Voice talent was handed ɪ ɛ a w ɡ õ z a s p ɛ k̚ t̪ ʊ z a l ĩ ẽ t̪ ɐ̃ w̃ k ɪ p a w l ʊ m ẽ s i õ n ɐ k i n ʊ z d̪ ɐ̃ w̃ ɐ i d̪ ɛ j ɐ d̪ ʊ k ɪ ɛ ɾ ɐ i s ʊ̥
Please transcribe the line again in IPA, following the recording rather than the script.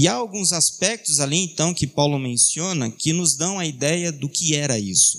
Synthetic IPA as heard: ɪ a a w ɡ ũ z a s p ɛ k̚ t̪ ʊ z a l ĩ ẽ t̪ ɐ̃ w̃ k ɪ p a w l ʊ m ẽ s i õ n ɐ k ɪ n ʊ z d̪ ɐ̃ w̃ ɐ i d̪ ɛ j ɐ d̪ ʊ k ɪ ɛ ɾ ɐ i s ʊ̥